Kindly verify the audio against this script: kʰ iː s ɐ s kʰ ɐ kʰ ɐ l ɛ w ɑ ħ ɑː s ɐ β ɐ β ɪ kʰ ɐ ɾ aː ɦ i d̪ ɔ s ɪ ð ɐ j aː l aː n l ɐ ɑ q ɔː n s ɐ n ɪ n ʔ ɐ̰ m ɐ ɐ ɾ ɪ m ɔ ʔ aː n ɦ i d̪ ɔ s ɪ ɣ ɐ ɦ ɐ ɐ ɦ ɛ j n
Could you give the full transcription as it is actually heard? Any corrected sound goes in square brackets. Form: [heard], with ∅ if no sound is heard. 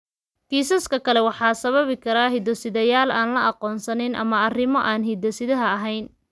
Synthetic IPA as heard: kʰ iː s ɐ s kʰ ɐ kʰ ɐ l ɛ w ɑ ħ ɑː s ɐ β ɐ β ɪ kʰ ɐ ɾ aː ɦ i d̪ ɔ s ɪ ð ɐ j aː l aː n l ɐ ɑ q ɔː n s ɐ n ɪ n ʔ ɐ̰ m ɐ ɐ [r] ɪ m ɔ ʔ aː n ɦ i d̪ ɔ s ɪ [ð] ɐ ɦ ɐ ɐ ɦ ɛ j n